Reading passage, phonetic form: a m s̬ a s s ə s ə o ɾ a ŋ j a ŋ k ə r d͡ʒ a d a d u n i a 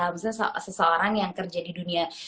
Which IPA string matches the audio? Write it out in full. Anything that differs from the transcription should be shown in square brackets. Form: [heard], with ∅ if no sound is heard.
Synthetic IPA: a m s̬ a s s ə s ə o ɾ a ŋ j a ŋ k ə r d͡ʒ a d [i] d u n i a